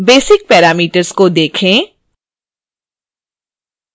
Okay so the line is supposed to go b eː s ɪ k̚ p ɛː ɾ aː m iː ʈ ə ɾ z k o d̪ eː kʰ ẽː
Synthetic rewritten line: b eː s ɪ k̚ p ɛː ɾ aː m iː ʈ ə ɾ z k o d̪ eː kʰ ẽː

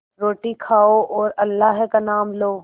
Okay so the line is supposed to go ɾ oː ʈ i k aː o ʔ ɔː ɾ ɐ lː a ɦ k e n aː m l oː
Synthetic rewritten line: ɾ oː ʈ i kʰ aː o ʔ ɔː ɾ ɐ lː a ɦ k a n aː m l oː

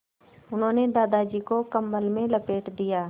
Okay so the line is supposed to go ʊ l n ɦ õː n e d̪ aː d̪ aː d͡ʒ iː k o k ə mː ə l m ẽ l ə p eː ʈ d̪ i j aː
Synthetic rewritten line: ʊ n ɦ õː n e d̪ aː d̪ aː d͡ʒ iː k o k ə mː ə l m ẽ l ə p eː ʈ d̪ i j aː

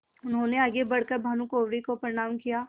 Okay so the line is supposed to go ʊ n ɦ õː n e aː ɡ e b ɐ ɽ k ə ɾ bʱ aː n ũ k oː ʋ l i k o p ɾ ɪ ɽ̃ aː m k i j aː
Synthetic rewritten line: ʊ n ɦ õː n e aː ɡ e b ɐ ɽ k ə ɾ bʱ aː n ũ k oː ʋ ɽ i k o p ɾ ɪ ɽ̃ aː m k i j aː

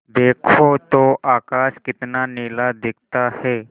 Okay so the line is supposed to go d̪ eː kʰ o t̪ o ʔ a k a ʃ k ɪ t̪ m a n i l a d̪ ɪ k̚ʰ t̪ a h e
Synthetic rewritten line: d̪ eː kʰ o t̪ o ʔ a k a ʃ k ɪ t̪ n a n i l a d̪ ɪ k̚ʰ t̪ a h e

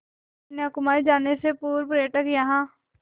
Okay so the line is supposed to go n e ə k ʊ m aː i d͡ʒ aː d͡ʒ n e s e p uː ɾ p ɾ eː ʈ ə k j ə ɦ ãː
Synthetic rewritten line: n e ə k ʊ m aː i d͡ʒ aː n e s e p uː ɾ p ɾ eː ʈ ə k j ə ɦ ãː

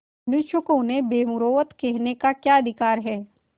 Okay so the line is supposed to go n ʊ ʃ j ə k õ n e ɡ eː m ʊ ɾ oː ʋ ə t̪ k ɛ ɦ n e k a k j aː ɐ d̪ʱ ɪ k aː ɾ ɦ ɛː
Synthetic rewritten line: n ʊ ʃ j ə k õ n e b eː m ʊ ɾ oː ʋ ə t̪ k ɛ ɦ n e k a k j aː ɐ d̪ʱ ɪ k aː ɾ ɦ ɛː

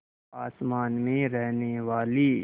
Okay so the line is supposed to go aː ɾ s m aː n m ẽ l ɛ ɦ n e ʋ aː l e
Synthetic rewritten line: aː s m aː n m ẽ ɾ ɛ ɦ n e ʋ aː l i

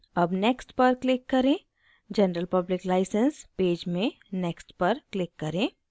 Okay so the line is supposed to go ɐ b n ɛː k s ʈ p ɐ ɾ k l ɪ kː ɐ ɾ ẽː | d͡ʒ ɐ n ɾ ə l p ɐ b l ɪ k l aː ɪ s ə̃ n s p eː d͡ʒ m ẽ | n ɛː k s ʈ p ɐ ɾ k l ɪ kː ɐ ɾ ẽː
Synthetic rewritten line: ɐ b n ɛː k s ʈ p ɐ ɾ k l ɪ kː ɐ ɾ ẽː | d͡ʒ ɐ n ɾ ə l p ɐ b l ɪ k l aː ɪ s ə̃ n s p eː d͡ʒ m ẽ | n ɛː k s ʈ p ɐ ɾ k l ɪ kː ɐ ɾ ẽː

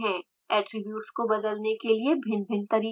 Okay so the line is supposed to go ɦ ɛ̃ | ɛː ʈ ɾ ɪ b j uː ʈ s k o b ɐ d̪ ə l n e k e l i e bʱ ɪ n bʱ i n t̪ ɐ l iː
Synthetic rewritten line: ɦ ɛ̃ | ɛː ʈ ɾ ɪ b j uː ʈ s k o b ɐ d̪ ə l n e k e l i e bʱ ɪ n bʱ ɪ n t̪ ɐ ɾ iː

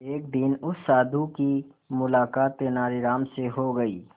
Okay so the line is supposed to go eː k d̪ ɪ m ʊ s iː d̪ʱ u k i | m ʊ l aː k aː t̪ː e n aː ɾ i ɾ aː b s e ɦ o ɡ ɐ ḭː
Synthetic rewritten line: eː k d̪ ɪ n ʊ s aː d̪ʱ u k i | m ʊ l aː k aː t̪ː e n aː ɾ i ɾ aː m s e ɦ o ɡ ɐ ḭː

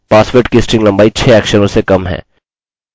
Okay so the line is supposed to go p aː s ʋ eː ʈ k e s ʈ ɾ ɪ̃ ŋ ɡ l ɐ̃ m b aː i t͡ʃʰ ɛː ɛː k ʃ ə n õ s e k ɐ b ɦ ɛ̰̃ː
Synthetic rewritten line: p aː s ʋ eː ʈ k i s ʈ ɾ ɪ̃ ŋ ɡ l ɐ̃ m b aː i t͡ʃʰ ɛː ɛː k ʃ ə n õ s e k ɐ m ɦ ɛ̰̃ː

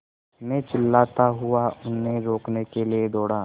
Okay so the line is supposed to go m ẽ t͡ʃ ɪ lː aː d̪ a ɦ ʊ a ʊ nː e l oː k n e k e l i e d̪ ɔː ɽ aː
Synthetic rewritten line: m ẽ t͡ʃ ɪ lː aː t̪ a ɦ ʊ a ʊ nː e ɾ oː k n e k e l i e d̪ ɔː ɽ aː

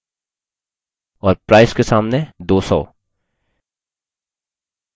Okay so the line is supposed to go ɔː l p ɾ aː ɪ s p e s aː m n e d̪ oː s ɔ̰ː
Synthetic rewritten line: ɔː ɾ p ɾ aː ɪ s k e s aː m n e d̪ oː s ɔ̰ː

